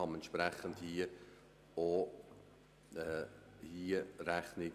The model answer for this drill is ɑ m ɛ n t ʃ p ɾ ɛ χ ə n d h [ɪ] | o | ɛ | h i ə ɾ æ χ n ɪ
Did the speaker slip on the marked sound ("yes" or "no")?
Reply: yes